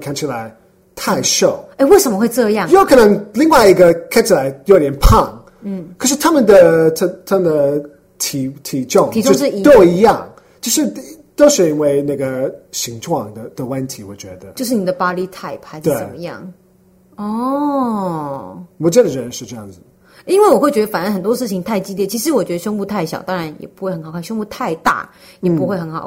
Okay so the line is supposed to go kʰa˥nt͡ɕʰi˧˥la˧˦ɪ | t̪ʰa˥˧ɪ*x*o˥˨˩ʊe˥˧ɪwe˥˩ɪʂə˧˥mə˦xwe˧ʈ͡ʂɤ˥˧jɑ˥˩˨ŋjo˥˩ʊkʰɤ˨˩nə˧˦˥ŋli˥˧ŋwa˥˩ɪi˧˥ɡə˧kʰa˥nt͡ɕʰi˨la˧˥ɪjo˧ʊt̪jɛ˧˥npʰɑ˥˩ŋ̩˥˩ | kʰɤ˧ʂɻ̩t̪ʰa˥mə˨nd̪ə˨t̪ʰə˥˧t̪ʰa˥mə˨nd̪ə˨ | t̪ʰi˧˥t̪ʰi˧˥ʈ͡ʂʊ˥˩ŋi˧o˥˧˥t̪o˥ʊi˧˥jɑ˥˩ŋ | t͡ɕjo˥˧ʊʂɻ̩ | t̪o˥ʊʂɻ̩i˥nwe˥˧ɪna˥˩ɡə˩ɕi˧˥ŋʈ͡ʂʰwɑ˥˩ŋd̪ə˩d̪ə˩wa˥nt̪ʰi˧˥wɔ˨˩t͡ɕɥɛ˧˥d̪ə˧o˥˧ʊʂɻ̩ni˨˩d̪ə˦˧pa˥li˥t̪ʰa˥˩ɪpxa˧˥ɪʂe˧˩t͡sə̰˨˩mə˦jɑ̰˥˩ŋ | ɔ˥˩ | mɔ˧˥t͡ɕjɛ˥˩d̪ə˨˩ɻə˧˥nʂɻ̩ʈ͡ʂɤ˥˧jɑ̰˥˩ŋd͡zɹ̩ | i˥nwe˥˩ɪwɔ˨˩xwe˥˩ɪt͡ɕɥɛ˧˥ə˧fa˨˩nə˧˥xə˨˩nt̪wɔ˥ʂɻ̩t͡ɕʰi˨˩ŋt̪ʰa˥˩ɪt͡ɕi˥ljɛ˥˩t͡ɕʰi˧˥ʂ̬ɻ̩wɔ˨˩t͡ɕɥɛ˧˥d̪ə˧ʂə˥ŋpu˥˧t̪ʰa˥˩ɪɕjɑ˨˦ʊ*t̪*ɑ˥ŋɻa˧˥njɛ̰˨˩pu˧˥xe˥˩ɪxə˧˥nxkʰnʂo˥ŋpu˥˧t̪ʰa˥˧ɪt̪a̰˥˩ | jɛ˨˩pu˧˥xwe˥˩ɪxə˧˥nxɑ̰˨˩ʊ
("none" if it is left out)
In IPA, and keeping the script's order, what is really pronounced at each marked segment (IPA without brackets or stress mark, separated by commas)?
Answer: ʂ, t̪